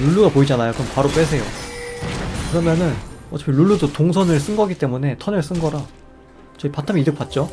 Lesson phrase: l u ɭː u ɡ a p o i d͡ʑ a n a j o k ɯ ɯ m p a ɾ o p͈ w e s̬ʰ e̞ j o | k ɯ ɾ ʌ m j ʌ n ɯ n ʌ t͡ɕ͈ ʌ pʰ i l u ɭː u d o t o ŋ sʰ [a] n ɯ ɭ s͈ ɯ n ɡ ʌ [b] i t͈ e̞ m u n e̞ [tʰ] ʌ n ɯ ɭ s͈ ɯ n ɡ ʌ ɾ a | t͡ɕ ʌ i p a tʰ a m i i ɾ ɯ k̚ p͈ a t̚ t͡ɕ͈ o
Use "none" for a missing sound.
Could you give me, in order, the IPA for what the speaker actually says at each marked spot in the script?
ʌ, ɡ, tʰ

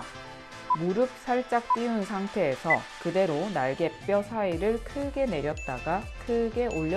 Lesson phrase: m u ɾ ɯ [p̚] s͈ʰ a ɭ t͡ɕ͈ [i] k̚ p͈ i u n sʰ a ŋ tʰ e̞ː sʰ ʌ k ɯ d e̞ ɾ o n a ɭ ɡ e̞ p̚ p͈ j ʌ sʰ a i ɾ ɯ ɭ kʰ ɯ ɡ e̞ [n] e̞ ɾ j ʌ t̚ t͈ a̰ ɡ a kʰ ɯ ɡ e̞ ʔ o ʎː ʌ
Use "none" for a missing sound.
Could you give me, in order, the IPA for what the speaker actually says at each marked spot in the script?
p̚, a, n

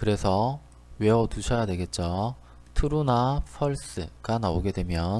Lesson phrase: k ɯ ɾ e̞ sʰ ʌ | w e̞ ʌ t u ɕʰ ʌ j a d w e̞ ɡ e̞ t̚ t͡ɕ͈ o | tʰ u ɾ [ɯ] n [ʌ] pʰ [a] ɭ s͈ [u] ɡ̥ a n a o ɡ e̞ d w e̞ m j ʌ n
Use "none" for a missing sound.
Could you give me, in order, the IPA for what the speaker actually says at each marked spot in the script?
u, a, ʌ, ɯ

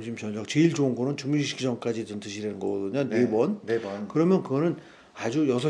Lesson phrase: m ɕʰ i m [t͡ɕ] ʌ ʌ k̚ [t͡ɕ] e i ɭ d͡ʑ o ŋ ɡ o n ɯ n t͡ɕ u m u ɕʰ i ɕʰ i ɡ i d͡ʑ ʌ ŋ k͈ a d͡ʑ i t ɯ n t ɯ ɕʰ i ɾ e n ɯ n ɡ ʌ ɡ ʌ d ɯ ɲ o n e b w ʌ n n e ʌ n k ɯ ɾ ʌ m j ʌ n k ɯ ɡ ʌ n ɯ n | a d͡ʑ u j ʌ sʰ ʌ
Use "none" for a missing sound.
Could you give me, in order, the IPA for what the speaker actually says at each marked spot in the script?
t͡ɕ, t͡ɕ

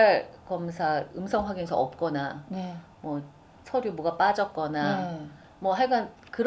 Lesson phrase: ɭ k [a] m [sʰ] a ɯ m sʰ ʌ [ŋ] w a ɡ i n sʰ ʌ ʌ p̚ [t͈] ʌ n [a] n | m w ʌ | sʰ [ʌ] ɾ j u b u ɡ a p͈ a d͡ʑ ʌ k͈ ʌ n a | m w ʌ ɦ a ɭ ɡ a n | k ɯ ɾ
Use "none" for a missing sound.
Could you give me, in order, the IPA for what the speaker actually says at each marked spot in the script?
ʌ, sʰ, ŋ, k͈, a, ʌ

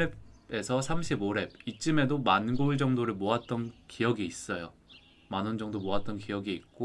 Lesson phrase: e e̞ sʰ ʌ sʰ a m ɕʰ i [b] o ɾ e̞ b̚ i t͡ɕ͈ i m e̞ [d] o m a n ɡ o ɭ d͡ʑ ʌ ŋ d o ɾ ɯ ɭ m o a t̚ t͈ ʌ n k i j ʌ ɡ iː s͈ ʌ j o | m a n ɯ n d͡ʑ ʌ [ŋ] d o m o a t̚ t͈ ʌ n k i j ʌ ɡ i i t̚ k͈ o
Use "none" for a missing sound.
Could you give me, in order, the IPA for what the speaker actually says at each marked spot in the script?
b, d, ŋ

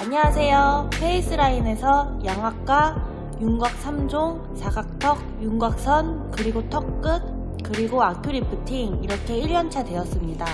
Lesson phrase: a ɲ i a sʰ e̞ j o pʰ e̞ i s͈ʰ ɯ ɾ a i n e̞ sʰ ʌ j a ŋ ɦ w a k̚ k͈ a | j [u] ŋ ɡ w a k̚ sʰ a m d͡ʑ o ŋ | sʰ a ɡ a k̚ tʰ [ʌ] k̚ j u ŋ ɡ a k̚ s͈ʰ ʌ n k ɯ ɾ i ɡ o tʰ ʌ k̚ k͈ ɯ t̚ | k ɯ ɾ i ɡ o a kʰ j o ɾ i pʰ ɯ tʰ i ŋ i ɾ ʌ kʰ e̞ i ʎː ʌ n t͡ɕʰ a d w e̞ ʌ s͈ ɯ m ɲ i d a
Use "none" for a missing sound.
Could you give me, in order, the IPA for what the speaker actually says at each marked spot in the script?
u, ʌ

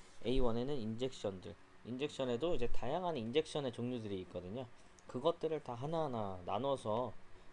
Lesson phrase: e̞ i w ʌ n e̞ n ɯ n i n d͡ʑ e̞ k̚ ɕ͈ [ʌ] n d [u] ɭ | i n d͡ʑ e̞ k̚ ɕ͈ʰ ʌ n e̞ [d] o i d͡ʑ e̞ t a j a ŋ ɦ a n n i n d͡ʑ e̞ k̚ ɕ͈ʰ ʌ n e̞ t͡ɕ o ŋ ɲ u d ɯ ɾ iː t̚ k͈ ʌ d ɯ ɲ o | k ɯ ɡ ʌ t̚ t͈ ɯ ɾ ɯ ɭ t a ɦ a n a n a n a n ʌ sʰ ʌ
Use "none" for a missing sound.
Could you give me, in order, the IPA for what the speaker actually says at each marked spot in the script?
ʌ, ɯ, d

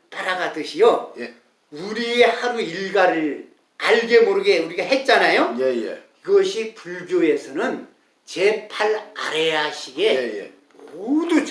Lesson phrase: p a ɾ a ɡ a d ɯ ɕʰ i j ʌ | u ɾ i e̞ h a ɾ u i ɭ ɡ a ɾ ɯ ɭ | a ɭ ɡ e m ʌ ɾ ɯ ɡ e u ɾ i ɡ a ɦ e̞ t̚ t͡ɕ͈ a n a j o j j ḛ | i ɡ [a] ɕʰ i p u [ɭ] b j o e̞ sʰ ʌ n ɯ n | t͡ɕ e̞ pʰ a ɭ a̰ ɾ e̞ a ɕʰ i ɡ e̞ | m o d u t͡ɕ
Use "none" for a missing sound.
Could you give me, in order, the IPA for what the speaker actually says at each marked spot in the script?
ʌ, ɭ

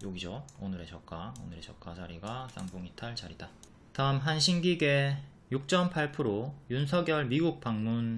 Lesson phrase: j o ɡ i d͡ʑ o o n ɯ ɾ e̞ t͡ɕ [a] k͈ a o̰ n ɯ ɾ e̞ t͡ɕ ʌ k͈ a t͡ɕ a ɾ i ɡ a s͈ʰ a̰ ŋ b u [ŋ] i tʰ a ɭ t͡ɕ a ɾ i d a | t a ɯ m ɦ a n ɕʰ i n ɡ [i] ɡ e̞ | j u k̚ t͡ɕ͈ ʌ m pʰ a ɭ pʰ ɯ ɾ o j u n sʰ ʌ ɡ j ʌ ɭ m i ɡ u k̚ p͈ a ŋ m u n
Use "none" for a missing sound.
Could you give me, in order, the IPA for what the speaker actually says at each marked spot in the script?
ʌ, ŋ, i

